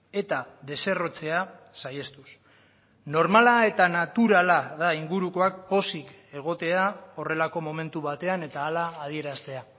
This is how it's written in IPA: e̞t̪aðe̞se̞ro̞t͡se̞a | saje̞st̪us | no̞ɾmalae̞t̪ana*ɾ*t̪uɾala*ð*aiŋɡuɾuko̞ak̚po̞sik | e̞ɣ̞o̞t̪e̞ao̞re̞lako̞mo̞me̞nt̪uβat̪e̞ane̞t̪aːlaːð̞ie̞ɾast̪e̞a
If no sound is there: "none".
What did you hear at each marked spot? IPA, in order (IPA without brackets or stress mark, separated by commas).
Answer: none, ð